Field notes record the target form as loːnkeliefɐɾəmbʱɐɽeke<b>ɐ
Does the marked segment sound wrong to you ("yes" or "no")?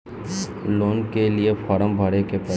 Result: yes